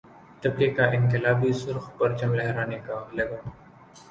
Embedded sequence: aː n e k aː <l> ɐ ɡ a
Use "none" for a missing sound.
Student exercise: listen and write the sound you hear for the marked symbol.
l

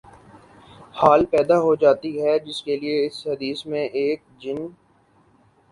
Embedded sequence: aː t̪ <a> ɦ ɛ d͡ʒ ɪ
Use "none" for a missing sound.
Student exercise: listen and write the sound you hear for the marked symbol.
i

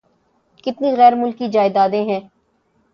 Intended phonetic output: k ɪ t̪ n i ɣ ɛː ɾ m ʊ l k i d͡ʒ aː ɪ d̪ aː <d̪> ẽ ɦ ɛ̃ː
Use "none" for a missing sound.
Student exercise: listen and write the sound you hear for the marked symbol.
d̪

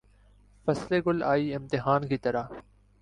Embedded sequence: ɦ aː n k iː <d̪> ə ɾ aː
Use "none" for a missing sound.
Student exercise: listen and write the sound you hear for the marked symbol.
t̪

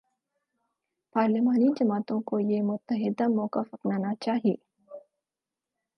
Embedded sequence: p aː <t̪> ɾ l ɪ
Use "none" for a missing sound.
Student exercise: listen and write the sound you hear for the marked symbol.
none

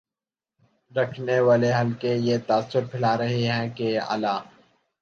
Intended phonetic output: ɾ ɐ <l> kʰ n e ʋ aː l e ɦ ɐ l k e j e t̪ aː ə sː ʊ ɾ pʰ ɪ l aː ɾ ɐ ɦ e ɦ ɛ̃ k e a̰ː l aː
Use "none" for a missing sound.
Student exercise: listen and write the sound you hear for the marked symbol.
none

